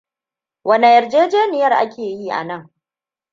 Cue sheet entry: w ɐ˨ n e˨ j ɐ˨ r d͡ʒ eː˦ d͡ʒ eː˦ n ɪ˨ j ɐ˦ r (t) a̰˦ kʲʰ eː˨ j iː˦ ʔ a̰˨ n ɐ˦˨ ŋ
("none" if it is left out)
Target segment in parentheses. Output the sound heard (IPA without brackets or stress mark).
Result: ʔ